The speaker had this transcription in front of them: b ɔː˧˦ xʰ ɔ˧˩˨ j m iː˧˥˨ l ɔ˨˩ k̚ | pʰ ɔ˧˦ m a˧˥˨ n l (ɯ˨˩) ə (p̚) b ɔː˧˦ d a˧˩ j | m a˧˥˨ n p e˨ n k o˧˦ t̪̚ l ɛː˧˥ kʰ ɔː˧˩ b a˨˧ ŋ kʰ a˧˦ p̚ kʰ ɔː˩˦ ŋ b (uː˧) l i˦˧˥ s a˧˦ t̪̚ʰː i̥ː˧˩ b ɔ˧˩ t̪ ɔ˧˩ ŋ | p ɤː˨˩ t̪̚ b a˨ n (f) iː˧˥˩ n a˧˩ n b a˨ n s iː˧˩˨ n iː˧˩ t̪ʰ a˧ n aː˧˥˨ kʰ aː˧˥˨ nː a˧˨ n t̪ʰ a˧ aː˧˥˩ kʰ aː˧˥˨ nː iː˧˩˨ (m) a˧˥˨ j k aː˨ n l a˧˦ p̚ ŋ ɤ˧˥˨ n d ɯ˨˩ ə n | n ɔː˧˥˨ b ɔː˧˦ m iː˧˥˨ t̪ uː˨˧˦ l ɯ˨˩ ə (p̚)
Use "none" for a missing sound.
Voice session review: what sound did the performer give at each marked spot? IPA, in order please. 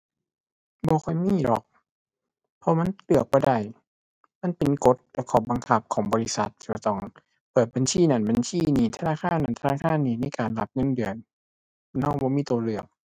ɯ˨˩, k̚, ɔː˧, s, n, k̚

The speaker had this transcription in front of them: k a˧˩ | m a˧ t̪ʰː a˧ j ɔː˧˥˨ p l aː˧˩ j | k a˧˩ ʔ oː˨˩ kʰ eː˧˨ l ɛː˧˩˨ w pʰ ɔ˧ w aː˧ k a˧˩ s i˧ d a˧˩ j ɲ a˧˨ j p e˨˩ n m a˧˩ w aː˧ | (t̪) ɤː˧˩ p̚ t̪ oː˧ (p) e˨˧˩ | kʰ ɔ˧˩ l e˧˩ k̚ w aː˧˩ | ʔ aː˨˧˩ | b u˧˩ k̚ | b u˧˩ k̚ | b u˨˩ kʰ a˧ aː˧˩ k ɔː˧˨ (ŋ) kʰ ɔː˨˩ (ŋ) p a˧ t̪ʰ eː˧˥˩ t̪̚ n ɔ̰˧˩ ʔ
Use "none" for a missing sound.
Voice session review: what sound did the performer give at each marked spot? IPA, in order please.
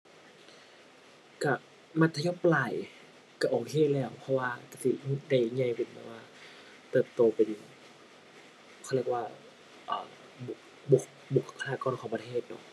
t̪, p, n, ŋ

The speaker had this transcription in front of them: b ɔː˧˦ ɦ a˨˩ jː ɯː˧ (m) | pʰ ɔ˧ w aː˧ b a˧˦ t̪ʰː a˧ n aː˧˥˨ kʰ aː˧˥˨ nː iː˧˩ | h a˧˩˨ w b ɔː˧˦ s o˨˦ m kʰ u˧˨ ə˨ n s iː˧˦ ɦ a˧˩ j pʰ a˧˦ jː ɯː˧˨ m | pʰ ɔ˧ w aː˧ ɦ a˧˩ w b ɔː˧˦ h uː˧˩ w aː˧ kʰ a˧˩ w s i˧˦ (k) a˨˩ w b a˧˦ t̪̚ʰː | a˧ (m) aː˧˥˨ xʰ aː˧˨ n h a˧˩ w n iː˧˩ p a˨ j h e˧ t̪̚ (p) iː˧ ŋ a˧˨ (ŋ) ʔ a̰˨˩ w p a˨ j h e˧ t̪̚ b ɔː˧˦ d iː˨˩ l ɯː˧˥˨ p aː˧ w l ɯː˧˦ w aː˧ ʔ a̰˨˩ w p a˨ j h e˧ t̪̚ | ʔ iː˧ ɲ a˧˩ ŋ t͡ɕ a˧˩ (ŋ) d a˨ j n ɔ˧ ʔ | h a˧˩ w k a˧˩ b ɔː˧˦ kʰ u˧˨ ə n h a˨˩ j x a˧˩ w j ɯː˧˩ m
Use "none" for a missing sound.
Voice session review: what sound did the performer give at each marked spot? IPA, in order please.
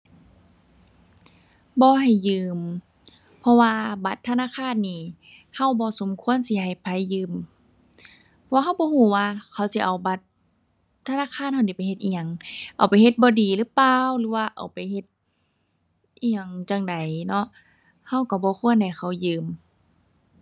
m, ʔ, n, ʔ, ŋ, ŋ

